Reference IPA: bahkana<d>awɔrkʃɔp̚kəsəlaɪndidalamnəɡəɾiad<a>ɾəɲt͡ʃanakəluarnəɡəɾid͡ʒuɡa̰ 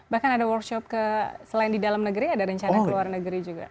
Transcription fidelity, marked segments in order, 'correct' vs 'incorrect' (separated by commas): correct, correct